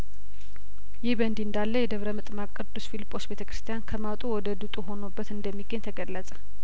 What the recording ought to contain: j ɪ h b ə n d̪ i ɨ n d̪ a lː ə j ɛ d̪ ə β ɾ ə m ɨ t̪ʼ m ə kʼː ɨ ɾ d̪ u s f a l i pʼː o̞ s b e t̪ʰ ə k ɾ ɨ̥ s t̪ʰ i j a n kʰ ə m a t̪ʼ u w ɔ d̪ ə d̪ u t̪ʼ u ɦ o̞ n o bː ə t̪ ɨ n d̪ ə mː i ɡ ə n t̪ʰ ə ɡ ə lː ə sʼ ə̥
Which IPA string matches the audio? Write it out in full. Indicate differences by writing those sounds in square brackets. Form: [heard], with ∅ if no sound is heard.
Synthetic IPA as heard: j ɪ h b ə n d̪ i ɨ n d̪ a lː ə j ɛ d̪ ə β ɾ ə m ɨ t̪ʼ m [a] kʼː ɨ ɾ d̪ u s f [i] l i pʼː o̞ s b e t̪ʰ ə k ɾ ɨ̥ s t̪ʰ i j a n kʰ ə m a t̪ʼ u w ɔ d̪ ə d̪ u t̪ʼ u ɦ o̞ n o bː ə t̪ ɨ n d̪ ə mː i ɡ ə [ɲ] t̪ʰ ə ɡ ə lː ə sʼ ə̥